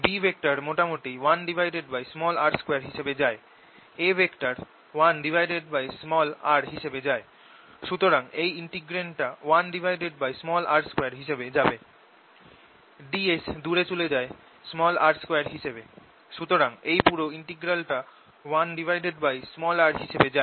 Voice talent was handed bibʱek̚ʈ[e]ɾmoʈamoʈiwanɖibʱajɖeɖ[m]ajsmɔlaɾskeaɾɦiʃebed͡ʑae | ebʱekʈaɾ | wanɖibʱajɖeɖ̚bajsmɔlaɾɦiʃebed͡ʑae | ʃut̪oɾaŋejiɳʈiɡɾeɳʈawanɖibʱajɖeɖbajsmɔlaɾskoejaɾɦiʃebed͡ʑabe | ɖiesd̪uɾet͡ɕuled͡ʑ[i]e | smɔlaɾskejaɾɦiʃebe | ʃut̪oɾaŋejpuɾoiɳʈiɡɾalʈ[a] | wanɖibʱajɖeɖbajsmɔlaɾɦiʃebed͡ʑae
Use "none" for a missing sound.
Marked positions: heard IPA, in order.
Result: a, b, a, a

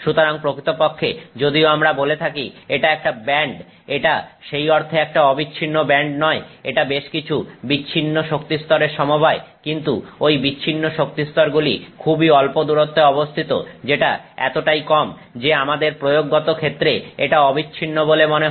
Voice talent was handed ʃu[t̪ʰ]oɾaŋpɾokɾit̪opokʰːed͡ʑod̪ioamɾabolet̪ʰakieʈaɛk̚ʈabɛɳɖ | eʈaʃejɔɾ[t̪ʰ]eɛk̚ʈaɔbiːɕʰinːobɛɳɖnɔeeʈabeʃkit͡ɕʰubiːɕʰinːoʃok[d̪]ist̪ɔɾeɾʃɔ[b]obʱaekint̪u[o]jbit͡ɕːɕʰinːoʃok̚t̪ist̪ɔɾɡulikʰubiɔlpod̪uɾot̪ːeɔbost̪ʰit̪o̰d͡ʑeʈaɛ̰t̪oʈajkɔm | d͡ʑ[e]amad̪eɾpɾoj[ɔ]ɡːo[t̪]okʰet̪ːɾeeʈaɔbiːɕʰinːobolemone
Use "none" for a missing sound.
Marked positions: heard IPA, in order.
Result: t̪, t̪ʰ, t̪, m, o, e, o, t̪

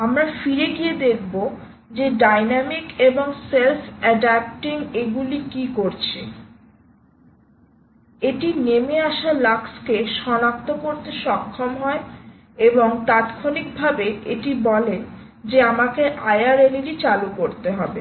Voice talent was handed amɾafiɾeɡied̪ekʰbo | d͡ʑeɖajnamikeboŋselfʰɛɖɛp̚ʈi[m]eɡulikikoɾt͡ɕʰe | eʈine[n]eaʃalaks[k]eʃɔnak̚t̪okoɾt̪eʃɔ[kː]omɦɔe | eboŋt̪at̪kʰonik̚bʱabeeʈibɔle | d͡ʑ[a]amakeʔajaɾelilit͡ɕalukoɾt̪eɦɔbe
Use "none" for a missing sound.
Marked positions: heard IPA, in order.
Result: ŋ, m, k, kʰː, e

